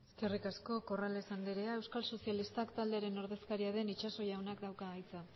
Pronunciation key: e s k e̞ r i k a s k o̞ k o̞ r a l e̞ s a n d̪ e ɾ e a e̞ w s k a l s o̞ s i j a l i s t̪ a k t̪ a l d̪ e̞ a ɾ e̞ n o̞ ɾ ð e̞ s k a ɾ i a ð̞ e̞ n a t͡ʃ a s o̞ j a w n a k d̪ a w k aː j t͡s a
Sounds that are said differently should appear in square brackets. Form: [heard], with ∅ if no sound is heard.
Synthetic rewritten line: e s k e̞ r i k a s k o̞ k o̞ r a l e̞ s a n d̪ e ɾ e a e̞ w s k a l s o̞ s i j a l i s t̪ a k t̪ a l d̪ e̞ a ɾ e̞ n o̞ ɾ ð e̞ s k a ɾ i a ð̞ e̞ n [i] t͡ʃ a s o̞ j a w n a k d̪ a w k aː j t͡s a